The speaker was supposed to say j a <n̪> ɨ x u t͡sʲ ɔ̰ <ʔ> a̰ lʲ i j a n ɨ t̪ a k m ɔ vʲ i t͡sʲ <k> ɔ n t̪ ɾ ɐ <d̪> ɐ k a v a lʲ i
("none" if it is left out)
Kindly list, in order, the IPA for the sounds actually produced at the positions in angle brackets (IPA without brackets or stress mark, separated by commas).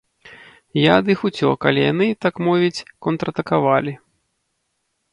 d̪, k, k, t̪